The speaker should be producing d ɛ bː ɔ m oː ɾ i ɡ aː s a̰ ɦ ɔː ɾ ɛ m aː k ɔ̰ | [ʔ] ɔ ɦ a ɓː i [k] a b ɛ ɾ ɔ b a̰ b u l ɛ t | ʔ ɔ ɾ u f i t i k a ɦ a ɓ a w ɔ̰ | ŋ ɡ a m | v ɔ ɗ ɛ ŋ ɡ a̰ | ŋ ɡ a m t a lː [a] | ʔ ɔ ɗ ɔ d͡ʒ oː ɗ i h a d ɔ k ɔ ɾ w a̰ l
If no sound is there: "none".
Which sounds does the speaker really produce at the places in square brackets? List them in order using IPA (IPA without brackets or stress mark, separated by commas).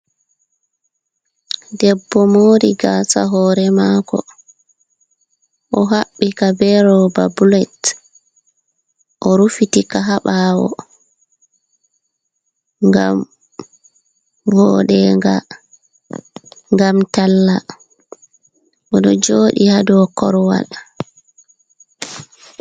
ʔ, k, a